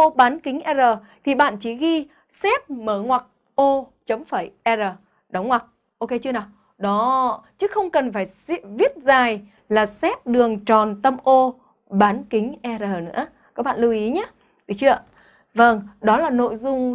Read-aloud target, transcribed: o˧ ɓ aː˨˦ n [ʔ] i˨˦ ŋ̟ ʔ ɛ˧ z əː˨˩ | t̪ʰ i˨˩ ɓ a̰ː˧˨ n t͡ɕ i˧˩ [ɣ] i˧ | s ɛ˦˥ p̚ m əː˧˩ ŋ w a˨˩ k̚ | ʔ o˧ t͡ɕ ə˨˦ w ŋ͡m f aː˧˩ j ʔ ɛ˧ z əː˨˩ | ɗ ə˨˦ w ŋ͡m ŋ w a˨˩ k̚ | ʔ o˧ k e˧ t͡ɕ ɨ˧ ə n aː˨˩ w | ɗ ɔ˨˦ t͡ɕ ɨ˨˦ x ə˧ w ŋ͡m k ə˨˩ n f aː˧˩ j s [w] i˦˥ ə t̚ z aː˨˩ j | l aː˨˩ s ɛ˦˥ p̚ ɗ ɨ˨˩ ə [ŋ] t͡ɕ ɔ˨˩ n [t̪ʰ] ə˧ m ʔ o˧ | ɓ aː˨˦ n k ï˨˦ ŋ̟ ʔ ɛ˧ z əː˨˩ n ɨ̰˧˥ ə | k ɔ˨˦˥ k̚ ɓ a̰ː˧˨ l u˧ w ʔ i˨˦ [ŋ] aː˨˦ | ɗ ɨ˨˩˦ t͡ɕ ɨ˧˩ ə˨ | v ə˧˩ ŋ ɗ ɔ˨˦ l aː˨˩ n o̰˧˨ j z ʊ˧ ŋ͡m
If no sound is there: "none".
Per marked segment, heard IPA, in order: k, ɣ, v, ŋ, t̪, ɲ

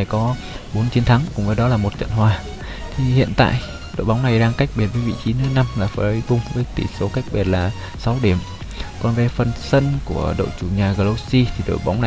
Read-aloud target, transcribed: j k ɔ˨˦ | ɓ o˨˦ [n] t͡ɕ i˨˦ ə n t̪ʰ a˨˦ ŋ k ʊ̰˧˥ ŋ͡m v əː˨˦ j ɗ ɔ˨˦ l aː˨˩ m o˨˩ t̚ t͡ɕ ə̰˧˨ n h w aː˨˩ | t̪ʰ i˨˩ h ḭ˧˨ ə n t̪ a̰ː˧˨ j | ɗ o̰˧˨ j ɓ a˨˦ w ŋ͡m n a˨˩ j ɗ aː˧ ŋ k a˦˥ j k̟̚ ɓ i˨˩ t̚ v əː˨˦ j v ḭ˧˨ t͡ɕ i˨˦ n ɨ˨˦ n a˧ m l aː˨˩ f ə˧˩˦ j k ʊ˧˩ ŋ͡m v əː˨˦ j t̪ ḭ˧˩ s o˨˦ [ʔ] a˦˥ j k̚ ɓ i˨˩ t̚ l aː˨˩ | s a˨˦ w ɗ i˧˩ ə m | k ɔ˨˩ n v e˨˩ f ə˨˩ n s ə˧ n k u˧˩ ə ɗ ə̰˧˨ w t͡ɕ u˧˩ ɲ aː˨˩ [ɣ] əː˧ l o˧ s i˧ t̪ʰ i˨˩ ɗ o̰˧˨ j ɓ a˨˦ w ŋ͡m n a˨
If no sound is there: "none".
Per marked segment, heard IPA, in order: n, k, ɣ

